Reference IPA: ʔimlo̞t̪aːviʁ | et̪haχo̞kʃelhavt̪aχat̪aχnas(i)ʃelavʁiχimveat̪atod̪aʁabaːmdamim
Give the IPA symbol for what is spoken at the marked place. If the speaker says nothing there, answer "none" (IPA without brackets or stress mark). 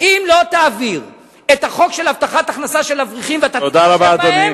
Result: a